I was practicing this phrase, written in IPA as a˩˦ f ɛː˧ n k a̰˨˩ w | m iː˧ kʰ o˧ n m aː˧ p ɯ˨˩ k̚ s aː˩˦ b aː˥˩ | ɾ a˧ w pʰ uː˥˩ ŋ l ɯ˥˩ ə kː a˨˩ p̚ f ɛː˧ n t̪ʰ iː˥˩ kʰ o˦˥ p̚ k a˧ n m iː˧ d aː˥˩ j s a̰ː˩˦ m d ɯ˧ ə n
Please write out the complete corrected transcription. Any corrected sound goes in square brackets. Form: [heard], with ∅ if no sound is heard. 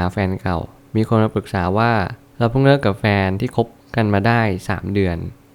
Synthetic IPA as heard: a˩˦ f ɛː˧ n k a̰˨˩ w | m iː˧ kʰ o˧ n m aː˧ p ɯ˨˩ k̚ s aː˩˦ [w] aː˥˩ | ɾ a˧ w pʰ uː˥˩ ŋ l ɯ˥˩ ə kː a˨˩ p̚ f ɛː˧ n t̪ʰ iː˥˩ kʰ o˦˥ p̚ k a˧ n m [aː˧] d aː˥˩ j s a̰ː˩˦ m d ɯ˧ ə n